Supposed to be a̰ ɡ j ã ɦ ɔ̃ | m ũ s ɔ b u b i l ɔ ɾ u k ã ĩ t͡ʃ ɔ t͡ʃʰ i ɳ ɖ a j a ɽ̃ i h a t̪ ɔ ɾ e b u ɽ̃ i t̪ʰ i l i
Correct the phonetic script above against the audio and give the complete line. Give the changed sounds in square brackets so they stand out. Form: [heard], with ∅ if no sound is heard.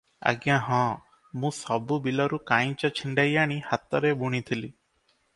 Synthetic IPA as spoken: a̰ ɡ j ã ɦ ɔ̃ | m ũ s ɔ b u b i l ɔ ɾ u k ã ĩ t͡ʃ ɔ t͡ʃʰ i ɳ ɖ a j a ɽ̃ i h a t̪ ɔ ɾ e b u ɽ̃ i t̪ʰ i l i